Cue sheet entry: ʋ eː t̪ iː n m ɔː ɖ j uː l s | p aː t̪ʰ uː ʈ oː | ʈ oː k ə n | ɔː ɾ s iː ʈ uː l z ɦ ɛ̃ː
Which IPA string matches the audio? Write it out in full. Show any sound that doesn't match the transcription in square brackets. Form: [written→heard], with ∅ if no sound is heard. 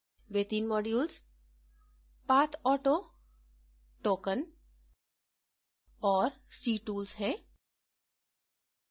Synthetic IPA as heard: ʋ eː t̪ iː n m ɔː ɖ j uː l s | p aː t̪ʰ [uː→ɔː] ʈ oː | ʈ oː k ə n | ɔː ɾ s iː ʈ uː l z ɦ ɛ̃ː